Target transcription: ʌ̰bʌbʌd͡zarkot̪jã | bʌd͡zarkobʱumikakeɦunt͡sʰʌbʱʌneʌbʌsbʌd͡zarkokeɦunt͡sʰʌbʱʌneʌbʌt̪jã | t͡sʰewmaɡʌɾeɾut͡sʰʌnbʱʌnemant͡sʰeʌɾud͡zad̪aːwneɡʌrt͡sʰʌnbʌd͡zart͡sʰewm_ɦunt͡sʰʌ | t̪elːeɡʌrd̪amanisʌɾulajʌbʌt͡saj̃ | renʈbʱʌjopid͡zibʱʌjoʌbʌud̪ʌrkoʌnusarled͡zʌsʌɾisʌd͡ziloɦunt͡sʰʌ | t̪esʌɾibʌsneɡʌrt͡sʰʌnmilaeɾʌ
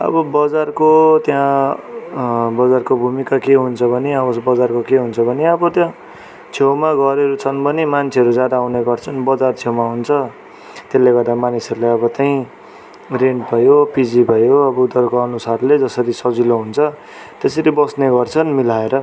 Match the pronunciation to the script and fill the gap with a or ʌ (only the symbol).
a